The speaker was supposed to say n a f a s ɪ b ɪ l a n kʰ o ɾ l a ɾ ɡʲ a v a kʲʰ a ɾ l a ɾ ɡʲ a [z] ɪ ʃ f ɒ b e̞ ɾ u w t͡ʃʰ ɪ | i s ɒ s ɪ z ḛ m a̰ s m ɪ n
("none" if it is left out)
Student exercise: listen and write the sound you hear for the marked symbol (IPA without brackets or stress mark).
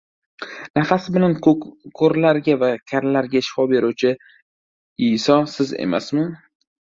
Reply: none